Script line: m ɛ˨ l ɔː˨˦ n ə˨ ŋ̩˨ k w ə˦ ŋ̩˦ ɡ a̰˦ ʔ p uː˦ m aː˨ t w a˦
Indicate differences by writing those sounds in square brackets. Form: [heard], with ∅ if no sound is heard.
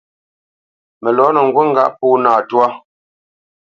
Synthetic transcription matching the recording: m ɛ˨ l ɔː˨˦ n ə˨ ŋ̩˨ [ɡ] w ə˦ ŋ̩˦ ɡ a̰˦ ʔ p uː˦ [n] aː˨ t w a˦